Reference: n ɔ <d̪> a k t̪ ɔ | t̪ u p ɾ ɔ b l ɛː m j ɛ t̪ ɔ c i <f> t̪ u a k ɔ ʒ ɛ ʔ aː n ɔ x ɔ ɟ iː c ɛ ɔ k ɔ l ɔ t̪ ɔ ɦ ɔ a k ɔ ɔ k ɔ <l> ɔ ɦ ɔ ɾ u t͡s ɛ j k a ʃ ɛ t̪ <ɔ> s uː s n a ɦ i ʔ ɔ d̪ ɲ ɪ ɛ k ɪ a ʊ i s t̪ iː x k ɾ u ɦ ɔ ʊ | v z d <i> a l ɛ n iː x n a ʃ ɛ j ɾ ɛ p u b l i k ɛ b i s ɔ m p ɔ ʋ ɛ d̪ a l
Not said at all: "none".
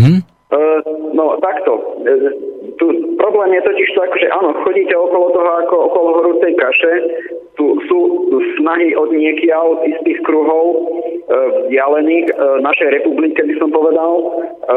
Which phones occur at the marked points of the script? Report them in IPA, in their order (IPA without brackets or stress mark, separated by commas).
t̪, ʃ, l, u, ɪ